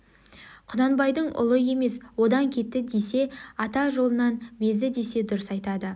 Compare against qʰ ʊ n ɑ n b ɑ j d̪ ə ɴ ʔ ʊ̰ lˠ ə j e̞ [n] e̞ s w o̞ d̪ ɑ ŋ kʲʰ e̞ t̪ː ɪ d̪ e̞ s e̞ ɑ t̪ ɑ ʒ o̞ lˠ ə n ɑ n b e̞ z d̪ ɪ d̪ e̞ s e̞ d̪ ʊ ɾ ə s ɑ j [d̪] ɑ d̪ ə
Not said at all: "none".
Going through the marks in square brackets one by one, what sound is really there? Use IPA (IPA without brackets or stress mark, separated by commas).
m, t̪